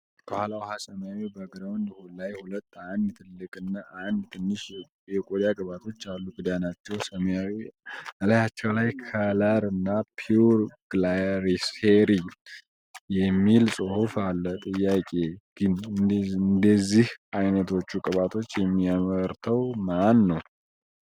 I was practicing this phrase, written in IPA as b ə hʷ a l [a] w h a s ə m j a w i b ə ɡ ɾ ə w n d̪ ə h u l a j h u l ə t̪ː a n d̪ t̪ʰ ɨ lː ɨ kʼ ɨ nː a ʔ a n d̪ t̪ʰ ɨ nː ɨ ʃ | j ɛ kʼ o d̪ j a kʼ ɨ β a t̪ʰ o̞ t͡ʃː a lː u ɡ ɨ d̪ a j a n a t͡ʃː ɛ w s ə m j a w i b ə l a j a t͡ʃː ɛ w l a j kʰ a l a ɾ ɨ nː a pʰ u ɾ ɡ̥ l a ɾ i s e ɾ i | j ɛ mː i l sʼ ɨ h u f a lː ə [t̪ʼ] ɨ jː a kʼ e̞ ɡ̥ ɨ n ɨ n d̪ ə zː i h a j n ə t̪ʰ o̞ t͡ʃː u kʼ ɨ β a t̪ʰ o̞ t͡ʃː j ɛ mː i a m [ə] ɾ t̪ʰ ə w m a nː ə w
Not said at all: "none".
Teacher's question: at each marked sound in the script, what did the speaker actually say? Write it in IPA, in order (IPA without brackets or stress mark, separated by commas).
a, t̪ʼ, ə